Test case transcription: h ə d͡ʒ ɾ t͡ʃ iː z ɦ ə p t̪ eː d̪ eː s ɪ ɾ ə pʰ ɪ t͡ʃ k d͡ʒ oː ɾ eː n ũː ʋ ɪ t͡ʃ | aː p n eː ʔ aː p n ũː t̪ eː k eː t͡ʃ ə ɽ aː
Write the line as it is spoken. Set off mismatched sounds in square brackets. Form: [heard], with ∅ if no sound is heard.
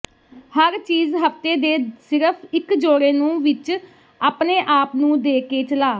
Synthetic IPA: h ə [∅] ɾ t͡ʃ iː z ɦ ə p t̪ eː d̪ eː s ɪ ɾ ə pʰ ɪ [∅] k d͡ʒ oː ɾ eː n ũː ʋ ɪ t͡ʃ | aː p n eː ʔ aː p n ũː [d̪] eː k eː t͡ʃ ə [l] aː